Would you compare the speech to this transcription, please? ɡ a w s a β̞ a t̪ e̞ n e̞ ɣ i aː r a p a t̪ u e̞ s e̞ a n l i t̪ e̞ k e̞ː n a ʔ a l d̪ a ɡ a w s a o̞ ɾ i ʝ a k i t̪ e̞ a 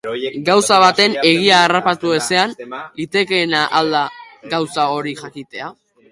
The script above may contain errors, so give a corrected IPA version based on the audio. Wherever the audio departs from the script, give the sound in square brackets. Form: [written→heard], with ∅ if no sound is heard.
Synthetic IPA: ɡ a w s a β̞ a t̪ e̞ n e̞ ɣ i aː r a p a t̪ u e̞ s e̞ a n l i t̪ e̞ k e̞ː n a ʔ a l d̪ a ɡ a w s a o̞ ɾ i ʝ a k i t̪ e̞ a